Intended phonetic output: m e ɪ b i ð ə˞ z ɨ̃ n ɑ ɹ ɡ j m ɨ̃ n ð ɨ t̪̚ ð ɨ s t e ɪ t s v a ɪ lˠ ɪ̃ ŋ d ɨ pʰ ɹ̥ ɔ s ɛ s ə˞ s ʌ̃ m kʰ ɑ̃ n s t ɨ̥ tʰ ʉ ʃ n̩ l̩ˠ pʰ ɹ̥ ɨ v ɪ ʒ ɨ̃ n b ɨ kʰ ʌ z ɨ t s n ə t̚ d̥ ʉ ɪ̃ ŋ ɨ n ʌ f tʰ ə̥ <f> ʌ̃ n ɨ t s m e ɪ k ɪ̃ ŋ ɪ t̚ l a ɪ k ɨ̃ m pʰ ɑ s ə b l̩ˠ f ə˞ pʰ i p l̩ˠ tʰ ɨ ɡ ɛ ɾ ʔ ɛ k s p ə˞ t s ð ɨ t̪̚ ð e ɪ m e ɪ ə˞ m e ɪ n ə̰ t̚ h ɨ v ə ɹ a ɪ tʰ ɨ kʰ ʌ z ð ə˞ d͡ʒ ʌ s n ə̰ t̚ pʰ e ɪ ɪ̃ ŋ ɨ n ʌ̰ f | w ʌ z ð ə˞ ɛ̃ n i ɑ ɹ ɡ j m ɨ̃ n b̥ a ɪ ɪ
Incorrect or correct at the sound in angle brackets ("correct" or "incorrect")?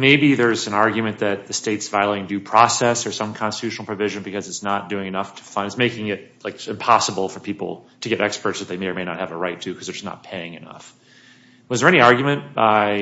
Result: correct